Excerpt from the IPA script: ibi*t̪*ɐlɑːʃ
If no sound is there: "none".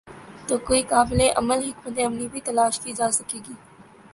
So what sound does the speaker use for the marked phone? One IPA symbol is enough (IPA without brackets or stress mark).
t̪